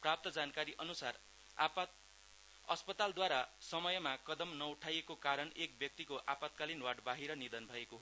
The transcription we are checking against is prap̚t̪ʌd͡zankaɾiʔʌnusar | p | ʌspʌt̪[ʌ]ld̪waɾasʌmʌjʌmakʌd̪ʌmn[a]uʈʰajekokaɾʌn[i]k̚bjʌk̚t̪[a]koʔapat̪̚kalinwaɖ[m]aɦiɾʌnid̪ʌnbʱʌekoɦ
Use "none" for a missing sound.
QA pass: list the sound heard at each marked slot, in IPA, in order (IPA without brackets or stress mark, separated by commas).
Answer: a, ʌ, e, i, b